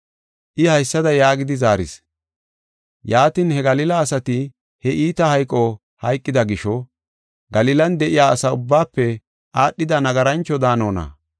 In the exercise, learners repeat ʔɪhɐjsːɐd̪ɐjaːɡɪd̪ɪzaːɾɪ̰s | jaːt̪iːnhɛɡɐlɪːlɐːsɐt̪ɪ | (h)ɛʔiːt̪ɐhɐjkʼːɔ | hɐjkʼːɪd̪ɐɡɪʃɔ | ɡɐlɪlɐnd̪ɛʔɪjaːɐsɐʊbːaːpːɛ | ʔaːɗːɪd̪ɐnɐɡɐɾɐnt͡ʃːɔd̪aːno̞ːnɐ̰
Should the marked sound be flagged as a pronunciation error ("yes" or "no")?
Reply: no